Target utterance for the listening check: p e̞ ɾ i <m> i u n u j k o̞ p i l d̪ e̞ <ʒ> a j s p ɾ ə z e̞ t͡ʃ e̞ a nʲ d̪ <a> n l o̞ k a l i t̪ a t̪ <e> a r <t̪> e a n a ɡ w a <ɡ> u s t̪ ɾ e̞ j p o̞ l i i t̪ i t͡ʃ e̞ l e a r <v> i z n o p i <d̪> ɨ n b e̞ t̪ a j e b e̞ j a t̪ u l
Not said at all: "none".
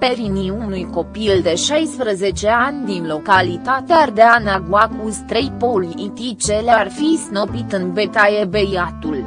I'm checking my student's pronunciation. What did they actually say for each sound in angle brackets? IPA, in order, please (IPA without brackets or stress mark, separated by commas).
n, ʃ, i, e, d̪, k, f, t̪